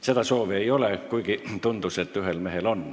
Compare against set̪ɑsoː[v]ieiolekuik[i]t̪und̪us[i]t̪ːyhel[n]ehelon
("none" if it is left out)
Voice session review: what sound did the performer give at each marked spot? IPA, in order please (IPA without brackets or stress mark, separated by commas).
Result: ʋ, i, e, m